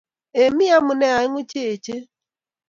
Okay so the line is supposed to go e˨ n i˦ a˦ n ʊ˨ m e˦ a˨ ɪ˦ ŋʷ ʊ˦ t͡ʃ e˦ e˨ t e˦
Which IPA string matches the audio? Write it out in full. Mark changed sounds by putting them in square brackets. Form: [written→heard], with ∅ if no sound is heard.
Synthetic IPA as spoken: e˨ [n→m] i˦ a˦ [n→m] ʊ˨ [m→n] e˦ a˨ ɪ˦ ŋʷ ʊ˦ t͡ʃ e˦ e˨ [t→t͡ʃ] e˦

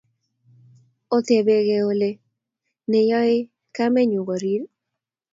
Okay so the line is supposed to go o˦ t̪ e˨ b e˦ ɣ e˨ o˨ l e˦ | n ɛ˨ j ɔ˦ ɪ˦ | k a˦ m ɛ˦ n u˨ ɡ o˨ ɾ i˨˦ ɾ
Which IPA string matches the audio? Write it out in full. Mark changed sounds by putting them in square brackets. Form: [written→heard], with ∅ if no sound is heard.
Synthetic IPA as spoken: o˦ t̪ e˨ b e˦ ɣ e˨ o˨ l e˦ | n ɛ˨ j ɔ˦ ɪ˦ | k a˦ m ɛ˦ [n→ɲ] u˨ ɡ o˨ ɾ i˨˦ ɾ

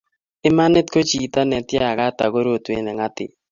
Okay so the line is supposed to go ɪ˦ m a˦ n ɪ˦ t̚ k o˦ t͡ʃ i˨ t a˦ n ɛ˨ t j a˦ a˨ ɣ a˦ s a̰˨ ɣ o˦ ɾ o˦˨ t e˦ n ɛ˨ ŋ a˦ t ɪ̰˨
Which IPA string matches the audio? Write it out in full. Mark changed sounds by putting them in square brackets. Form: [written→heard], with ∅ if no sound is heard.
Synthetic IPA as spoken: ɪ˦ m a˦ n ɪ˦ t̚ k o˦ t͡ʃ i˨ t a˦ n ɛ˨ t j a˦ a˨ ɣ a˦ [s→t] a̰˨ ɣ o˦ ɾ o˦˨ t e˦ n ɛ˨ ŋ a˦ t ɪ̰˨

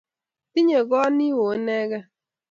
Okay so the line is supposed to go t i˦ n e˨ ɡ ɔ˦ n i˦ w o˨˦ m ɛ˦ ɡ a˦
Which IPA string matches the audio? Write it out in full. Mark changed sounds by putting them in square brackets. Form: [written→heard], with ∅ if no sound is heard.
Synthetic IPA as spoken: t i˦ [n→ɲ] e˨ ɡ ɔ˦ n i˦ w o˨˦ [m→n] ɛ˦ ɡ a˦

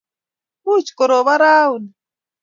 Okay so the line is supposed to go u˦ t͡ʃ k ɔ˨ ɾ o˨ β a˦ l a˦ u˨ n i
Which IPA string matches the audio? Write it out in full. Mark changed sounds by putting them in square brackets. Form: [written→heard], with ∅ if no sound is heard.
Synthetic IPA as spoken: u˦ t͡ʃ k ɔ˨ ɾ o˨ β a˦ [l→ɾ] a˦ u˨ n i

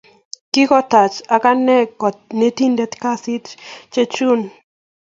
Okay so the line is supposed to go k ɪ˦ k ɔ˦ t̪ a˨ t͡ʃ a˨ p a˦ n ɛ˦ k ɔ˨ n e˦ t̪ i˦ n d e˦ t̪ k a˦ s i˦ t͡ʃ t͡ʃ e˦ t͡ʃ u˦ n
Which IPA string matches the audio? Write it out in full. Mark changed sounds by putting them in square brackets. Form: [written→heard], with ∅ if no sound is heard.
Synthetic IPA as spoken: k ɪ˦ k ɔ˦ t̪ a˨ t͡ʃ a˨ [p→k] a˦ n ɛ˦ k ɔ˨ n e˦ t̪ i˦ n d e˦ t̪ k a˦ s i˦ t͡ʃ t͡ʃ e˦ t͡ʃ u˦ n

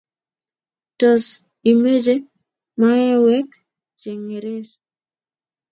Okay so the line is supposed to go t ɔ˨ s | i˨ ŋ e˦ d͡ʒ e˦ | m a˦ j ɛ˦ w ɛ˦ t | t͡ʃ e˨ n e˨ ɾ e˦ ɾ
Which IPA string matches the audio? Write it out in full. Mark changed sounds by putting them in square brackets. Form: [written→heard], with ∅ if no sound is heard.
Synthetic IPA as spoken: t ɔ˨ s | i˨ [ŋ→m] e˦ d͡ʒ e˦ | m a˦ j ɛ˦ w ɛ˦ [t→k] | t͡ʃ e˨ [n→ŋ] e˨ ɾ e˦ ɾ

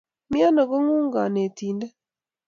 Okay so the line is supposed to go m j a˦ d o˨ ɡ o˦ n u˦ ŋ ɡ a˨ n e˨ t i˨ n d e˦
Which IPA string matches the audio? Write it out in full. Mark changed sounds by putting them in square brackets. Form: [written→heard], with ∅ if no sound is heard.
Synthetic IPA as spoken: m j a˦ [d→n] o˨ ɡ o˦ [n→ŋ] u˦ ŋ ɡ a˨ n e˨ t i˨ n d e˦

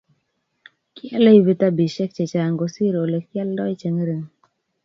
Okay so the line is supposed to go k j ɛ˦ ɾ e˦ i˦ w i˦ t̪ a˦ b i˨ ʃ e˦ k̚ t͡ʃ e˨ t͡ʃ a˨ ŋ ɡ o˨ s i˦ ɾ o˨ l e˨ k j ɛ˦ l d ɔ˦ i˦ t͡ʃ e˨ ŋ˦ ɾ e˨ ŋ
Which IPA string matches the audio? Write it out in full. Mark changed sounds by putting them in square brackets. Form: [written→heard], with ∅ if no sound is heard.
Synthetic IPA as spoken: k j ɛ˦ [ɾ→l] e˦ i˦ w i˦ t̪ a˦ b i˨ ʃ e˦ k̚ t͡ʃ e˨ t͡ʃ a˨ ŋ ɡ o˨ s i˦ ɾ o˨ l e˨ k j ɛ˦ l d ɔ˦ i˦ t͡ʃ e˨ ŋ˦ ɾ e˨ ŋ

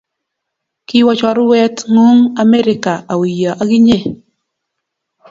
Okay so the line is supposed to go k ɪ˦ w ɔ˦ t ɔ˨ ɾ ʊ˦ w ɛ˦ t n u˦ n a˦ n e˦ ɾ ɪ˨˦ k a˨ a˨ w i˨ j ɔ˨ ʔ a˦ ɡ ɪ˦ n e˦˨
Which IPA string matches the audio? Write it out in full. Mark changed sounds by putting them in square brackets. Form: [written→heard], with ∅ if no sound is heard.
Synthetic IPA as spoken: k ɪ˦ w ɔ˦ [t→t͡ʃ] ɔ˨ ɾ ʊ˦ w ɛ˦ t [n→ŋ] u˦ [n→ŋ] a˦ [n→m] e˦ ɾ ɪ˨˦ k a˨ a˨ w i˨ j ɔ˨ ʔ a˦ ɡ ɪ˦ [n→ɲ] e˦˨

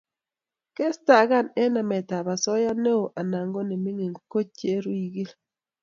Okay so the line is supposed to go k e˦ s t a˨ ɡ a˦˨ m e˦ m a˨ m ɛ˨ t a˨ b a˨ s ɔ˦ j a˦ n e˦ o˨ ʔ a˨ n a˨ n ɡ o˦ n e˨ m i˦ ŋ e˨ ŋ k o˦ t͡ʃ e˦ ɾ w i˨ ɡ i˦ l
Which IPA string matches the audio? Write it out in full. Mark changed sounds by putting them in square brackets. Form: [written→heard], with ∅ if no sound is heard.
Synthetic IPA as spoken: k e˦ s t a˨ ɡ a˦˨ [m→n] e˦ [m→n] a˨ m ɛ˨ t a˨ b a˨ s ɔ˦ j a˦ n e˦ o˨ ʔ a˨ n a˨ [n→ŋ] ɡ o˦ n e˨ m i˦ ŋ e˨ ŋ k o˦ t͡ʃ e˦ ɾ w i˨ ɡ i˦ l

